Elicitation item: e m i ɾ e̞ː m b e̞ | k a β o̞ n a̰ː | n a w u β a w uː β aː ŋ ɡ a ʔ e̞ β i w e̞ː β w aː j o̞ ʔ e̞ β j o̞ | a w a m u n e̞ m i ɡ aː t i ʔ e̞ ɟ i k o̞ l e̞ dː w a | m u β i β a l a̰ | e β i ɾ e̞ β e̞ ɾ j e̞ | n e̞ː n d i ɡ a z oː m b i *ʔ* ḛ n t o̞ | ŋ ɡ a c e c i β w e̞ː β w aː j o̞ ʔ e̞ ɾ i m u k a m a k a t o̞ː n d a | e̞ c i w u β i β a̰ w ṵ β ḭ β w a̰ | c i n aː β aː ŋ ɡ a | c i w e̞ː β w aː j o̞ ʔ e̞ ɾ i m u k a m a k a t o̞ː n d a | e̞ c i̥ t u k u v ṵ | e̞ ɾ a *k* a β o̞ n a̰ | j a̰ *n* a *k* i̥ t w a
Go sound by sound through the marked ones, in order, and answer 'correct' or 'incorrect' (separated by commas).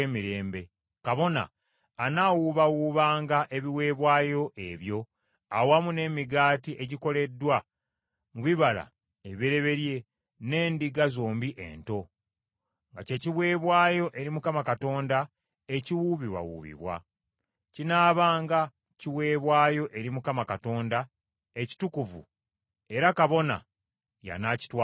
correct, correct, correct, incorrect